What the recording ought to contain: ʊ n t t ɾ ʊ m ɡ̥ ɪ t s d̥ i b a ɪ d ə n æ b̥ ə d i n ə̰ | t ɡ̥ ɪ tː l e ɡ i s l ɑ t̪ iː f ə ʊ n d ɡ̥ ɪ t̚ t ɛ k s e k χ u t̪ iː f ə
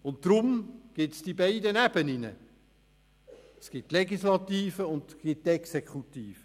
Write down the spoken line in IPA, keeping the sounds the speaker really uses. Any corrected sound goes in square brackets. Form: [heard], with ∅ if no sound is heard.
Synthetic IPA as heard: ʊ n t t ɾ ʊ m ɡ̥ ɪ t s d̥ i b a ɪ d ə n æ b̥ ə [n] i n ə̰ | [s] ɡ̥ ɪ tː l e ɡ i s l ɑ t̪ iː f ə ʊ n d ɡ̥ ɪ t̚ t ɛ k s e k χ u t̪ iː f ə